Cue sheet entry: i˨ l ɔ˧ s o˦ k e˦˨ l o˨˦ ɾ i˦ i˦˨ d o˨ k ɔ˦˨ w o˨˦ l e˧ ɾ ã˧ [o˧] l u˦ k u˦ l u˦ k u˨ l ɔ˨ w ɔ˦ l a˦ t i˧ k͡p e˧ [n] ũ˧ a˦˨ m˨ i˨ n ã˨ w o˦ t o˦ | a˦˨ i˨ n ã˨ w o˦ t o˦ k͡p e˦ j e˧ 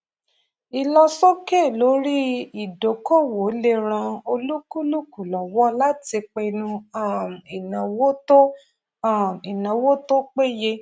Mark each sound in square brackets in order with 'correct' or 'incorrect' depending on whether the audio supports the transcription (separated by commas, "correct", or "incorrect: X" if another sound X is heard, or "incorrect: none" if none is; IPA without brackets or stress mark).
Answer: correct, correct